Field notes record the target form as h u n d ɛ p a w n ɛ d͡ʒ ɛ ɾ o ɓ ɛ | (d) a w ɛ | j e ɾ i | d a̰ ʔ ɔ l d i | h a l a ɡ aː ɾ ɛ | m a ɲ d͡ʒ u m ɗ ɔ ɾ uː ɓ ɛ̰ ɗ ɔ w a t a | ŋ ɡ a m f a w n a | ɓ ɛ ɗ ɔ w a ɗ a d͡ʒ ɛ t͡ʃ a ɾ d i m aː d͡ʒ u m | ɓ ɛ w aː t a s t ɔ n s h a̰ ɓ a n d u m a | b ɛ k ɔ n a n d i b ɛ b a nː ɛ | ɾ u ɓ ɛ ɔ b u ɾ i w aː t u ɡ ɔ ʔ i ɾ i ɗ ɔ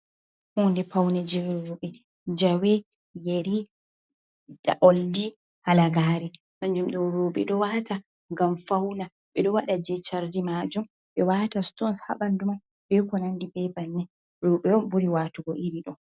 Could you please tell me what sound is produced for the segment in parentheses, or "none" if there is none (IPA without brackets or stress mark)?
d͡ʒ